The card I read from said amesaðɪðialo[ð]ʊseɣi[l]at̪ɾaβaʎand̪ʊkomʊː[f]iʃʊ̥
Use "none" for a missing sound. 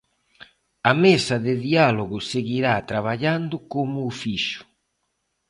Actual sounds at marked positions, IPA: ɣ, ɾ, f

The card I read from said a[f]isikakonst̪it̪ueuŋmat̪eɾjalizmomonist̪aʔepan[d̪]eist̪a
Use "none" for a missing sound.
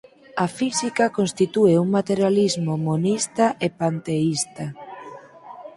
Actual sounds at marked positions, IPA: f, t̪

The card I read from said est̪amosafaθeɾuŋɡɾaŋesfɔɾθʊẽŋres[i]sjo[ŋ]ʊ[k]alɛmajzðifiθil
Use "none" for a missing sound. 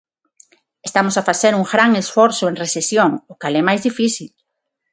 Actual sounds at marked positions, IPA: e, ŋ, k

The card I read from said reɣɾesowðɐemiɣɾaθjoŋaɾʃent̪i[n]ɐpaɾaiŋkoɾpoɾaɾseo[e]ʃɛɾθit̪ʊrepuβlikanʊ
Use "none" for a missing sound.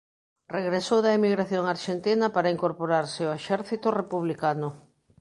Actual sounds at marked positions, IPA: n, e

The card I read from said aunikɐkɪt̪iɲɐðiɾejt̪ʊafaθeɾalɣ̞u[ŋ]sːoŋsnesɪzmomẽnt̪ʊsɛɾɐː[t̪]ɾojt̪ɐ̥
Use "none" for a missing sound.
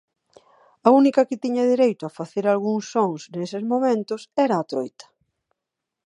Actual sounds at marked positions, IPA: ŋ, t̪

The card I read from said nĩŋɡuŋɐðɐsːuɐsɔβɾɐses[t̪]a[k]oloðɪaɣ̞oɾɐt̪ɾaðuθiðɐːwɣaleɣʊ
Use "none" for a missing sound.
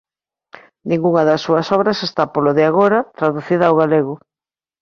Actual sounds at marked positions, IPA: t̪, p

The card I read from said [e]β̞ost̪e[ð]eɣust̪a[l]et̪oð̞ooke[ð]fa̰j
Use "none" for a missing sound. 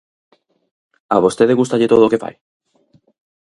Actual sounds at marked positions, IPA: a, ð, ʎ, none

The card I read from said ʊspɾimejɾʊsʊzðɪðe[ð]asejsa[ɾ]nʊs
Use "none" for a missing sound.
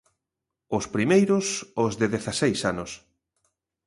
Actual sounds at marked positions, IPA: θ, none

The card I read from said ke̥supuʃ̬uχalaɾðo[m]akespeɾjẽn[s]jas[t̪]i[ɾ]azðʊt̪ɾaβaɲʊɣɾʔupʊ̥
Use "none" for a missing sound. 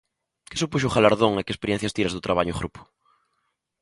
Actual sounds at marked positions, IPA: ŋ, θ, t̪, ɾ

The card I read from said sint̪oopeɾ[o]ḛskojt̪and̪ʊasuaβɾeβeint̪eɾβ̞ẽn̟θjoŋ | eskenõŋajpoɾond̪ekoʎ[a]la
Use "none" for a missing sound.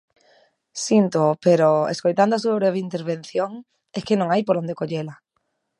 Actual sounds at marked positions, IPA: o, e

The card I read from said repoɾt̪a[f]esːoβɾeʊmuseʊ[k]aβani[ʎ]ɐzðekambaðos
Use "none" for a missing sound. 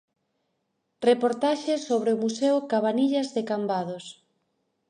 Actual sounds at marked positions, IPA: ʃ, k, ʎ

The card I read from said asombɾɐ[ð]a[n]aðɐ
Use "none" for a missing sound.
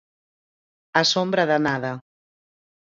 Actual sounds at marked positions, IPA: ð, n

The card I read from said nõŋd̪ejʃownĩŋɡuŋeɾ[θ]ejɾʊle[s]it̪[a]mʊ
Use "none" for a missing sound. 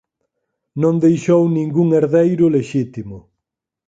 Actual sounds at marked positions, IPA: ð, ʃ, i

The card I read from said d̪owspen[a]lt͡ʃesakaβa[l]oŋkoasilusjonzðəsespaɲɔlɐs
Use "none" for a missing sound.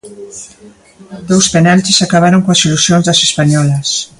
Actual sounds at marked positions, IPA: a, ɾ

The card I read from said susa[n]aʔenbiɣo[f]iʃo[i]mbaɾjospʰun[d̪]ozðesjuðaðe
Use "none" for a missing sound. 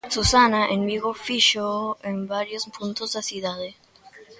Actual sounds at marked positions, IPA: n, f, e, t̪

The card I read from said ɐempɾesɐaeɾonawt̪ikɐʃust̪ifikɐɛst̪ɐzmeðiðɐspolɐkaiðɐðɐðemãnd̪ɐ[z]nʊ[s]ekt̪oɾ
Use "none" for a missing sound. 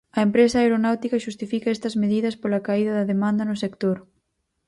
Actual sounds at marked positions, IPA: none, s

